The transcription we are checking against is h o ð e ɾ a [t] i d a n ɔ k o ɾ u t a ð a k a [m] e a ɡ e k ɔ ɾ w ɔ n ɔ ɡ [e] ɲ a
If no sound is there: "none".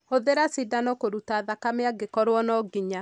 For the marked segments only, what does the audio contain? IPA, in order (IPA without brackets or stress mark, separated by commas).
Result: s, m, i